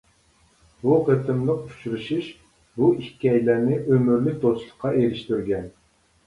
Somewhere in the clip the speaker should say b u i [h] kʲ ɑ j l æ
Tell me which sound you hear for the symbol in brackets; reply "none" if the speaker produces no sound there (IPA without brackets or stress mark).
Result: h